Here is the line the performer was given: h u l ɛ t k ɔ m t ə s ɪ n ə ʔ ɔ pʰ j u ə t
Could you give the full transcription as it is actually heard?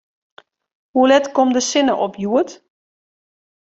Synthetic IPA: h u l ɛ t k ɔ m d ə s ɪ n ə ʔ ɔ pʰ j u ə t